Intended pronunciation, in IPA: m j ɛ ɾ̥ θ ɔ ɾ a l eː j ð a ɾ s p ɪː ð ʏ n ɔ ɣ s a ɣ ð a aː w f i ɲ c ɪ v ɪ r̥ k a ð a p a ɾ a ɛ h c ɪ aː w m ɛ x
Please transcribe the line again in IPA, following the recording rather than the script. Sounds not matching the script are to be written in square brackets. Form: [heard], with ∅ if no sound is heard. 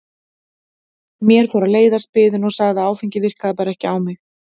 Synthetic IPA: m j ɛ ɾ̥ [f] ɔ ɾ a l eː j ð a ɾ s p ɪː ð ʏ n ɔ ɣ s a ɣ ð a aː w f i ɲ c ɪ v ɪ r̥ k a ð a p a ɾ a ɛ h c ɪ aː w m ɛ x